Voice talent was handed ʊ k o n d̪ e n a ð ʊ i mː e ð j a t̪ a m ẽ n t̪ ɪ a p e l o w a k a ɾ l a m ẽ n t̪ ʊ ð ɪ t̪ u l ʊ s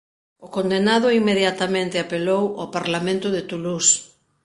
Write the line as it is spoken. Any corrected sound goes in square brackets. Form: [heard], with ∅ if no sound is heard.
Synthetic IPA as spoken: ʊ k o n d̪ e n a ð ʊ i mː e ð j a t̪ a m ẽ n t̪ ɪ a p e l o w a [p] a ɾ l a m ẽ n t̪ ʊ ð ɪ t̪ u l [u] s